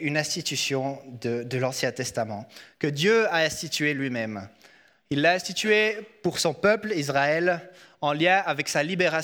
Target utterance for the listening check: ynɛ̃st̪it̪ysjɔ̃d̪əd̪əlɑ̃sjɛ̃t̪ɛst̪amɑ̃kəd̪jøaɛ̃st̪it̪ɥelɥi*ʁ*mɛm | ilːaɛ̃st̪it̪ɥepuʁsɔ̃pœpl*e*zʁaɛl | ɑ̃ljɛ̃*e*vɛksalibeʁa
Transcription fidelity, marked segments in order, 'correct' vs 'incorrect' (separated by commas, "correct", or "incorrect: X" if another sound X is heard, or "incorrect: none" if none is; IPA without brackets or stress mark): incorrect: none, incorrect: i, incorrect: a